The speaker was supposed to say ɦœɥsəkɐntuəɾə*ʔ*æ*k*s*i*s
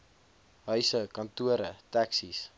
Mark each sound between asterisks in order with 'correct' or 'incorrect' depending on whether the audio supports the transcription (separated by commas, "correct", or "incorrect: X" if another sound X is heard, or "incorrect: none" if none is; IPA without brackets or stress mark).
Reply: incorrect: t, correct, correct